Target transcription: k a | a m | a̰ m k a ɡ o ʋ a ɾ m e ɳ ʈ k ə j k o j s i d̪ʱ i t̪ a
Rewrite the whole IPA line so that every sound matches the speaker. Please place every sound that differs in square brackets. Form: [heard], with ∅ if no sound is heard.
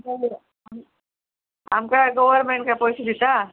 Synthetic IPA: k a | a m | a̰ m k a ɡ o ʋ [ə] ɾ m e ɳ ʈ k [a] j [p] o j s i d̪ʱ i t̪ a